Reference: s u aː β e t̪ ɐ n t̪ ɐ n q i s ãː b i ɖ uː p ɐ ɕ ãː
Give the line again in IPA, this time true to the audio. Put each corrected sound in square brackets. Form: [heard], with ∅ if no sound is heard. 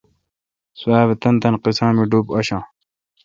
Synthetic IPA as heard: s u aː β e t̪ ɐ n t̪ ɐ n q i s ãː [m] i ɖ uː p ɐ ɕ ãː